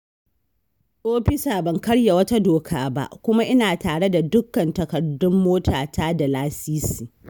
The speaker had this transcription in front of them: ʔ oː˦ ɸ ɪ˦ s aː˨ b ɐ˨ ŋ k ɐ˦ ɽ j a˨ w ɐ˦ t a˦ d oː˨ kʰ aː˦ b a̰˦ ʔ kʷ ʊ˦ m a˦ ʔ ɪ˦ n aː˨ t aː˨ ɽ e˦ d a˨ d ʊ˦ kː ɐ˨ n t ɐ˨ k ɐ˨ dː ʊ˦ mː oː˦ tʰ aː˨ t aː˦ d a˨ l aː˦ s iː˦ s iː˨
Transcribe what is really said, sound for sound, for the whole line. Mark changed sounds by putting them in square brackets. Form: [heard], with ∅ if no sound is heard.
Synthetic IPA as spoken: ʔ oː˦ ɸ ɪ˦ s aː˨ b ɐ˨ ŋ k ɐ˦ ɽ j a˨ w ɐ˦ t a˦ d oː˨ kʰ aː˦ b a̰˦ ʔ kʷ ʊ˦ m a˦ ʔ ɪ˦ n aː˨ t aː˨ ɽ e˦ d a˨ d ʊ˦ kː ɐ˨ n t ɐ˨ k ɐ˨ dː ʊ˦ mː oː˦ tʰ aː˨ t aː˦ d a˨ l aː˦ s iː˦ s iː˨